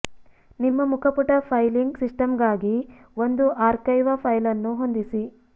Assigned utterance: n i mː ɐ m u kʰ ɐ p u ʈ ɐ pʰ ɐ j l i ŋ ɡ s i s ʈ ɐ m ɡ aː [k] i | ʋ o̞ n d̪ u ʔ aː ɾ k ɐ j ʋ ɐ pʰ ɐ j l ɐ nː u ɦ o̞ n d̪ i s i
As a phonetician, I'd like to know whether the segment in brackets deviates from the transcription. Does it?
yes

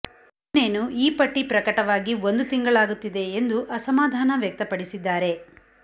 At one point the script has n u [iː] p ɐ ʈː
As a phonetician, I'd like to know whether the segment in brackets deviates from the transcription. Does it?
no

